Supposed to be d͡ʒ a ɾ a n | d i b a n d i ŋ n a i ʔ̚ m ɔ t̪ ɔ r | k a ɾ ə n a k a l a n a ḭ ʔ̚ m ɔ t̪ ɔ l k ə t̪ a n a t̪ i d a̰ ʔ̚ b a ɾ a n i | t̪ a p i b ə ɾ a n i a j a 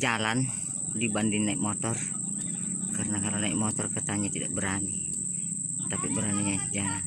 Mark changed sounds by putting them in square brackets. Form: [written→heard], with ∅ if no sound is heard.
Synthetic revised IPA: d͡ʒ a [ɾ→l] a n | d i b a n d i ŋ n a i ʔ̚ m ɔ t̪ ɔ r | k a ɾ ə n a k a l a n a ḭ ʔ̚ m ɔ t̪ ɔ [l→r] k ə t̪ a [n→ɲ] a t̪ i d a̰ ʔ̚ b [a→ə] ɾ a n i | t̪ a p i b ə ɾ a n i a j a